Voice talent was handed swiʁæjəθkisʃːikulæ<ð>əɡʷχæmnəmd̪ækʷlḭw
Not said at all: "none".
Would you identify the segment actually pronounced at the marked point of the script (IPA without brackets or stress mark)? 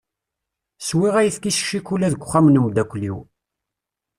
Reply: ð